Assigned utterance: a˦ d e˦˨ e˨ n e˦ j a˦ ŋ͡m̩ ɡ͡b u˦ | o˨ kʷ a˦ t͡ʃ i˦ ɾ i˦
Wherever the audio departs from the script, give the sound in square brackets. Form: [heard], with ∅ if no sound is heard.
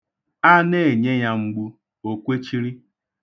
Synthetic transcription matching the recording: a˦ [n] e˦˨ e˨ [ɲ] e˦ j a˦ ŋ͡m̩ ɡ͡b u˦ | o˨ kʷ [e˦] t͡ʃ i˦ ɾ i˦